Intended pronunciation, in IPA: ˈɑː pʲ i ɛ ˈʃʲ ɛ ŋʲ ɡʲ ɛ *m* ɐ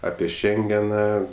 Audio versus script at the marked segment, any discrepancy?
yes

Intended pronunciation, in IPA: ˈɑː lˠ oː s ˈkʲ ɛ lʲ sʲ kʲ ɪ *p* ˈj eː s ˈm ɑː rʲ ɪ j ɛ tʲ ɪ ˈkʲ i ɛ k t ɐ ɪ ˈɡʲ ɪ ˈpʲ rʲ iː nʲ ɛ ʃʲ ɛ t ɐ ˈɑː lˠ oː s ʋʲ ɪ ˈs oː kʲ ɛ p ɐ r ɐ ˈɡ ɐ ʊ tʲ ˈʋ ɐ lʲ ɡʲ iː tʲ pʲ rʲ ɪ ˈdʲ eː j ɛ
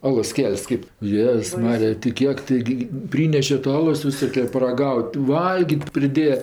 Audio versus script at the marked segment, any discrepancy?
no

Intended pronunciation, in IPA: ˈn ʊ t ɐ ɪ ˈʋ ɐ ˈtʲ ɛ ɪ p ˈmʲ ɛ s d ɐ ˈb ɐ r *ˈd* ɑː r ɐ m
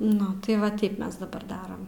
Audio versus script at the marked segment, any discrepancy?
no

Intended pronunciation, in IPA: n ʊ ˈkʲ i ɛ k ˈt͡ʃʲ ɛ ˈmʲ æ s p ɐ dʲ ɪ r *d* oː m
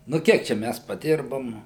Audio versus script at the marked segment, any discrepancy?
yes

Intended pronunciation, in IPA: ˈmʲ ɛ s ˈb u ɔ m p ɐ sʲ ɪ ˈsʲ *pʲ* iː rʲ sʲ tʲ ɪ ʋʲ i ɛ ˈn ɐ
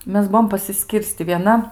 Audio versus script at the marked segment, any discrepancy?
yes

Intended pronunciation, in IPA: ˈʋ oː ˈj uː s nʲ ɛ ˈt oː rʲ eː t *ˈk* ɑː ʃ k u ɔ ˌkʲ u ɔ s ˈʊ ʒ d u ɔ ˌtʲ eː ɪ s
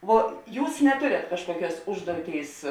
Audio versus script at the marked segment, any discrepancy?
no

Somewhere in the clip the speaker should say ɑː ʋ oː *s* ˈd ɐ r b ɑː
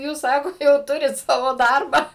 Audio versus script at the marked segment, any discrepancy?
yes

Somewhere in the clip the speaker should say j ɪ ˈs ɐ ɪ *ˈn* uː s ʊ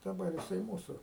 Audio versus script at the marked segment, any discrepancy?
yes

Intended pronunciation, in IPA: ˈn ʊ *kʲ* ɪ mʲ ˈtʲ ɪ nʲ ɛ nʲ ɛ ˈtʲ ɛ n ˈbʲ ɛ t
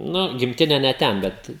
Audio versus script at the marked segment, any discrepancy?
yes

